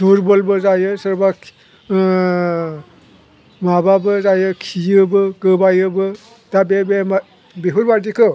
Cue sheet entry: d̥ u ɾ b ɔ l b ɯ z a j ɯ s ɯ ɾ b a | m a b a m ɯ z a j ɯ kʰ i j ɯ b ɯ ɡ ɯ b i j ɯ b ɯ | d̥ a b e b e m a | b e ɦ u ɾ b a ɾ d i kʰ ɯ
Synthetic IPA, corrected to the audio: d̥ u ɾ b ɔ l b ɯ z a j ɯ s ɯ ɾ b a | m a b a b ɯ z a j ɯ kʰ i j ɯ b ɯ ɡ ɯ b a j ɯ b ɯ | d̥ a b e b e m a | b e ɦ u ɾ b a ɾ d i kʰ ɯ

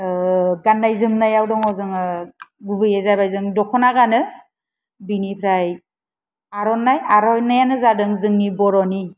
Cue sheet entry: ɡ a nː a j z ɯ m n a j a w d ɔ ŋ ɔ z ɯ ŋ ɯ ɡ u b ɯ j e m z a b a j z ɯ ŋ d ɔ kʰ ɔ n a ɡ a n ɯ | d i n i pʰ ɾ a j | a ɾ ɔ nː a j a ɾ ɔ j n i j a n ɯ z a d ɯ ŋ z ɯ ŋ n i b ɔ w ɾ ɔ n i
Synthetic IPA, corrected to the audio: ɡ a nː a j z ɯ m n a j a w d ɔ ŋ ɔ z ɯ ŋ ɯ ɡ u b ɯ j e z a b a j z ɯ ŋ d ɔ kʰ ɔ n a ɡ a n ɯ | b i n i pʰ ɾ a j | a ɾ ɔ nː a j a ɾ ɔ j n a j a n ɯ z a d ɯ ŋ z ɯ ŋ n i b ɔ ɾ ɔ n i

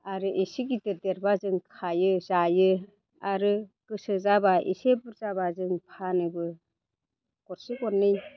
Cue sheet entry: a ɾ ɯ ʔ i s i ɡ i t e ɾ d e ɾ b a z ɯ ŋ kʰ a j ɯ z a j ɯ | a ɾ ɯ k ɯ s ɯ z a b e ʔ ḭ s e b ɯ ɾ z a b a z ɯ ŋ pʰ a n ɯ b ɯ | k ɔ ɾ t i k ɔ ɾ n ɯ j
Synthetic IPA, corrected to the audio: a ɾ ɯ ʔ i s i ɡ i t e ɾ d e ɾ b a z ɯ ŋ kʰ a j ɯ z a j ɯ | a ɾ ɯ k ɯ s ɯ z a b a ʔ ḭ s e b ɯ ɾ z a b a z ɯ ŋ pʰ a n ɯ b ɯ | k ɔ ɾ s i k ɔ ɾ n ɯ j

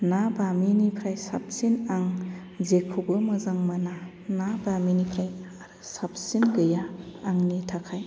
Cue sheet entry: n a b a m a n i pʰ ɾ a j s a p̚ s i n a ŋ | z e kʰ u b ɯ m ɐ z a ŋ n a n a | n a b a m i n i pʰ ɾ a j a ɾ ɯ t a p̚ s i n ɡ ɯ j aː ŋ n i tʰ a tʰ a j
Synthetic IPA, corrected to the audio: n a b a m i n i pʰ ɾ a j s a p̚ s i n a ŋ | z e kʰ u b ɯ m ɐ z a ŋ m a n a | n a b a m i n i pʰ ɾ a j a ɾ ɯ s a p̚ s i n ɡ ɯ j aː ŋ n i tʰ a kʰ a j

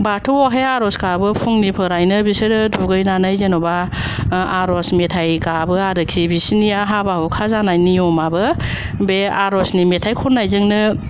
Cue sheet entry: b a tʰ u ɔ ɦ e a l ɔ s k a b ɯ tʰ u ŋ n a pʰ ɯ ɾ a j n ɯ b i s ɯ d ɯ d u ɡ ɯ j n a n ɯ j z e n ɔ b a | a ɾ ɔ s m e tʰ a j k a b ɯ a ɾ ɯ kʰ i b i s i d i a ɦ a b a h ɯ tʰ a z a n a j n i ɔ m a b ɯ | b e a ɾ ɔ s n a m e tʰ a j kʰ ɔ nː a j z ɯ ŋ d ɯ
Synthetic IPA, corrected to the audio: b a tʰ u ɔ ɦ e a ɾ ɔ s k a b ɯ pʰ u ŋ n i pʰ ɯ ɾ a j n ɯ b i s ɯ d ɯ d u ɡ ɯ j n a n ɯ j z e n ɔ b a | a ɾ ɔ s m e tʰ a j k a b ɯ a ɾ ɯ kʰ i b i s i n i a ɦ a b a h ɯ kʰ a z a n a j n i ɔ m a b ɯ | b e a ɾ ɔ s n i m e tʰ a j kʰ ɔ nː a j z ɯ ŋ n ɯ

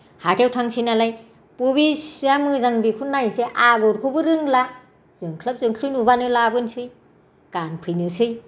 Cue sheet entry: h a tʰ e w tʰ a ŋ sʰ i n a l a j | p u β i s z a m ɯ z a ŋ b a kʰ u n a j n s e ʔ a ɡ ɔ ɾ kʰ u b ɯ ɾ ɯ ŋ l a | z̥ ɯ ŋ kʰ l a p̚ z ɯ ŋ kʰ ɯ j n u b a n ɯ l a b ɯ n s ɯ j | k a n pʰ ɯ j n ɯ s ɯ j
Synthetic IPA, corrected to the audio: h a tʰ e w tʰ a ŋ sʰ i n a l a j | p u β i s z a m ɯ z a ŋ b i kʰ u n a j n s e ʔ a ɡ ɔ ɾ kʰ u b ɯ ɾ ɯ ŋ l a | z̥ ɯ ŋ kʰ l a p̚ z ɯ ŋ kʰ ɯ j n u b a n ɯ l a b ɯ n s ɯ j | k a n pʰ ɯ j n ɯ s ɯ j

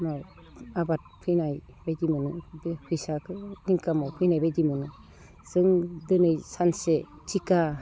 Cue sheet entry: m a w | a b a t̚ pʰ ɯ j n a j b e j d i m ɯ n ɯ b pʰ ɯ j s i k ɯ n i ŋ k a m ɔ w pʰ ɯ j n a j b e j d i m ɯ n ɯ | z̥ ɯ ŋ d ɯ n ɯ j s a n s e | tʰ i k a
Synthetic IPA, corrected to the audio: m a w | a b a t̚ pʰ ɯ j n a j b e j d i m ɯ n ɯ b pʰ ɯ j s a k ɯ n i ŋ k a m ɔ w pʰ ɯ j n a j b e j d i m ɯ n ɯ | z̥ ɯ ŋ d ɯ n ɯ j s a n s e | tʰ i k a

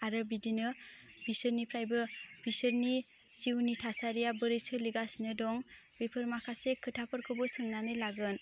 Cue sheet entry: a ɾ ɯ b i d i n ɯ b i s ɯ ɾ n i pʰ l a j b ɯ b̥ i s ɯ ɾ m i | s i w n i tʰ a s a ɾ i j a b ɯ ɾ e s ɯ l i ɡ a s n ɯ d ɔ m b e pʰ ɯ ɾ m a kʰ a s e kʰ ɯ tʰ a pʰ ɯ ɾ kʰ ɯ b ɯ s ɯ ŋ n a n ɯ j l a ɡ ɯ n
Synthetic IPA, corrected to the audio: a ɾ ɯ b i d i n ɯ b i s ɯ ɾ n i pʰ ɾ a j b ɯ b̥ i s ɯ ɾ n i | s i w n i tʰ a s a ɾ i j a b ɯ ɾ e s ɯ l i ɡ a s n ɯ d ɔ ŋ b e pʰ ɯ ɾ m a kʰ a s e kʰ ɯ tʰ a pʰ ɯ ɾ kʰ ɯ b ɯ s ɯ ŋ n a n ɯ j l a ɡ ɯ n

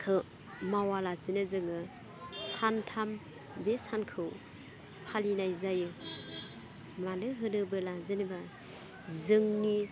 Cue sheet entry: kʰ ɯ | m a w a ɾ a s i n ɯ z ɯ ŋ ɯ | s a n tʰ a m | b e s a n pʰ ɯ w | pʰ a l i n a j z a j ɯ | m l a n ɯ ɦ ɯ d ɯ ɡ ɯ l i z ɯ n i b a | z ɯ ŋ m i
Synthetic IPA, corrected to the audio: kʰ ɯ | m a w a l a s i n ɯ z ɯ ŋ ɯ | s a n tʰ a m | b e s a n kʰ ɯ w | pʰ a l i n a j z a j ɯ | m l a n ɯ ɦ ɯ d ɯ b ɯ l a z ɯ n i b a | z ɯ ŋ n i

